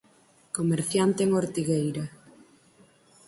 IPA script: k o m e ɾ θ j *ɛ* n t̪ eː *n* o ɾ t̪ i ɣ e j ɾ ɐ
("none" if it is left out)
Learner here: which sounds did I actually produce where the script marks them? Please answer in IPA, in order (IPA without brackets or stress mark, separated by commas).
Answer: a, ŋ